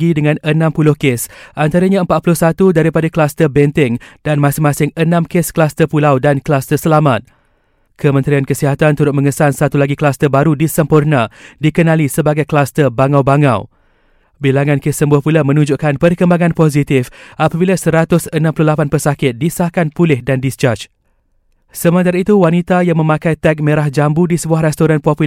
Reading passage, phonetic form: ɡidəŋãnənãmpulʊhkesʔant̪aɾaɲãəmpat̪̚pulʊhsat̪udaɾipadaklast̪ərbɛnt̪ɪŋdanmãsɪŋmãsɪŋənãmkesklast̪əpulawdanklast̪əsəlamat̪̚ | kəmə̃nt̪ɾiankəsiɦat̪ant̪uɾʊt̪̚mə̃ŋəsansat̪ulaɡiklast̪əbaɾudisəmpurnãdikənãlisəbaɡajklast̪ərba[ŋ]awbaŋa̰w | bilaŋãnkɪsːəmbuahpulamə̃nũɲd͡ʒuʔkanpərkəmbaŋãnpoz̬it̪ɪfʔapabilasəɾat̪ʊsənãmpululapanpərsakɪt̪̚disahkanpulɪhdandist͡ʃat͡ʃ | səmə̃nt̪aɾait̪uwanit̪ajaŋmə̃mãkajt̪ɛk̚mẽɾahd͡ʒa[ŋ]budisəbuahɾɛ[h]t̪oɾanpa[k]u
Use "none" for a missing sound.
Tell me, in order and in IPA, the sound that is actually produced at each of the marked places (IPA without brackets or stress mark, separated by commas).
ŋ, m, s, p